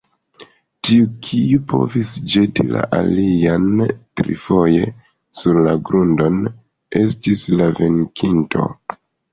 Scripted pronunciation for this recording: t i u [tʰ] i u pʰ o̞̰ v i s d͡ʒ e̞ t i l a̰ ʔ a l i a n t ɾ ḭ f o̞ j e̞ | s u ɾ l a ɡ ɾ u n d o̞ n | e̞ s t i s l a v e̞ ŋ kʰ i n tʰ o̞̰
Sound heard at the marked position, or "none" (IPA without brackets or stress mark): kʰ